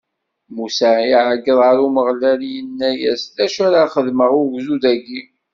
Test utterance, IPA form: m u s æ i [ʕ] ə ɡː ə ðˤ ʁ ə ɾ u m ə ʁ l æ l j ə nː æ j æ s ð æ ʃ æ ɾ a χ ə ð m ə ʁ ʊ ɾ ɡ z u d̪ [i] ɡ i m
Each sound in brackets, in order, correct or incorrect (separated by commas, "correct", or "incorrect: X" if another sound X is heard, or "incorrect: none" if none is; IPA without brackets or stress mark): correct, incorrect: æ